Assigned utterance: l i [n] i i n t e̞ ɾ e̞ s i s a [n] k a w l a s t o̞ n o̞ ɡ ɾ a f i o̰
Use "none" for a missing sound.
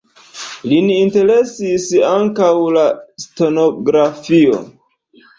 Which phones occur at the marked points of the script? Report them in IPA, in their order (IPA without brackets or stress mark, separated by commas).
n, ŋ